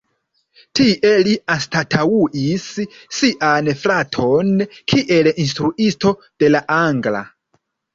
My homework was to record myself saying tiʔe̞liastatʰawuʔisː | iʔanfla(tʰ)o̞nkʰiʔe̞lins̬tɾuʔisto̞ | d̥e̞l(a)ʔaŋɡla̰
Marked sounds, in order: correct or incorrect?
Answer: correct, correct

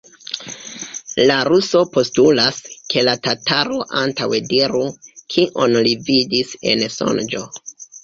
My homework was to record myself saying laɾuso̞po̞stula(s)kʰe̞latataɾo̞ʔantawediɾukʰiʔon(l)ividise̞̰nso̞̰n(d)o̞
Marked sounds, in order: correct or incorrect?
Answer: correct, correct, incorrect: d͡ʒ

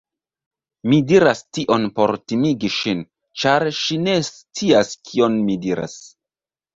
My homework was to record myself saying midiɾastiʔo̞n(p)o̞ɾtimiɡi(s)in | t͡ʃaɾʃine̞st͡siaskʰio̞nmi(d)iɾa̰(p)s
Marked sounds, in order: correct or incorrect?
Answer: correct, incorrect: ʃ, correct, incorrect: none

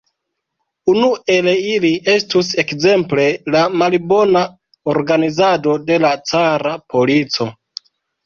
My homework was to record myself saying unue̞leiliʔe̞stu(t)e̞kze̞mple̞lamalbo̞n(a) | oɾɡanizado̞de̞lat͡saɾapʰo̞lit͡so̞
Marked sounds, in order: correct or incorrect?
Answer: incorrect: s, correct

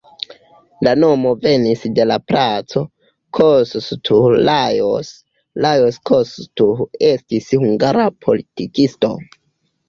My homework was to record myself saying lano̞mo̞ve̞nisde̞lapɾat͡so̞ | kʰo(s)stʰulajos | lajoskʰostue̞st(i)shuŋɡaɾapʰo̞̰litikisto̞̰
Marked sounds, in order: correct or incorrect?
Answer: correct, correct

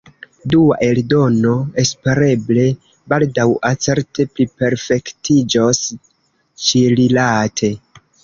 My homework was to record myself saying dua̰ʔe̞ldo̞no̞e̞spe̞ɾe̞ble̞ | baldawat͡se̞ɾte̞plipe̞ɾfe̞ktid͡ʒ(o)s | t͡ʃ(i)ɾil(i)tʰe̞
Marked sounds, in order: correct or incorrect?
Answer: correct, correct, incorrect: a

